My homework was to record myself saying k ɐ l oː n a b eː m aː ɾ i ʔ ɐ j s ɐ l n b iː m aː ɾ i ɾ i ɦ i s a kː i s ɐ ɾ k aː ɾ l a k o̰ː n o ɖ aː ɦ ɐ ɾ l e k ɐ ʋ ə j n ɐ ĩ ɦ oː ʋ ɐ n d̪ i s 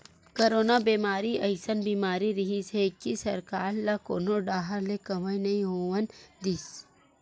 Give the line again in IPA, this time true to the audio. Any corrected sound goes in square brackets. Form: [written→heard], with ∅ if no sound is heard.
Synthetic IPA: k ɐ [l→ɾ] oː n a b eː m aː ɾ i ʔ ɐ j s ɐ [l→∅] n b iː m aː ɾ i ɾ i ɦ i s [a→e] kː i s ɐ ɾ k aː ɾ l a k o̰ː n o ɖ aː ɦ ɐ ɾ l e k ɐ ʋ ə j n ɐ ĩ ɦ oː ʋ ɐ n d̪ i s